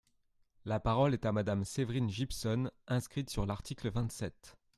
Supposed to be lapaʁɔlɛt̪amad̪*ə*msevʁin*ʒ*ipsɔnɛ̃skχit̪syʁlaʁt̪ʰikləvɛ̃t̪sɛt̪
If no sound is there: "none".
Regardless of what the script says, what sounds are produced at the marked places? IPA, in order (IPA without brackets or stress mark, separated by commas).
a, ʒ